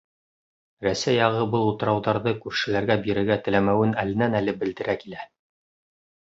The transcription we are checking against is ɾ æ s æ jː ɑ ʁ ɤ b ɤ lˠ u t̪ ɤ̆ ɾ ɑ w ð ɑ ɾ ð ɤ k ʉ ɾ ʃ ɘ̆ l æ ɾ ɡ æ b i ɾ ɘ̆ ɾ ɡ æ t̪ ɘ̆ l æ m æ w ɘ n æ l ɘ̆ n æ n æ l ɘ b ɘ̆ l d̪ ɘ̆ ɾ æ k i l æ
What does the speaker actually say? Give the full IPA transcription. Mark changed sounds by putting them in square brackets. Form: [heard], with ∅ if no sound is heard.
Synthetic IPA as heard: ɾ æ s æ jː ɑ ʁ ɤ b ɤ lˠ u t̪ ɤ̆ ɾ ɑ w ð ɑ ɾ ð ɤ k ʉ ɾ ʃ ɘ̆ l æ ɾ ɡ æ b i ɾ ɘ̆ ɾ ɡ æ t̪ ɘ̆ l æ m æ w ɘ n æ l ɘ̆ n æ n æ l ɘ b ɘ̆ l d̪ ɘ̆ ɾ æ k i l æ